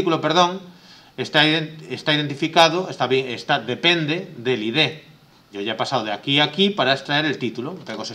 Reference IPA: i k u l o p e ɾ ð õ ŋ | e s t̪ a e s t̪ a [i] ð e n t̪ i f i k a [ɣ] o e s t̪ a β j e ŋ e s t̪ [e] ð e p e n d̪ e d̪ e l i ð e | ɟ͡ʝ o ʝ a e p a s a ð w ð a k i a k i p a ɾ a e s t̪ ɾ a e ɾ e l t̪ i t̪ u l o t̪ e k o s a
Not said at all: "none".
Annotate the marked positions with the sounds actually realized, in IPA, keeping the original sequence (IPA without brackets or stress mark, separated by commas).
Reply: i, ð, a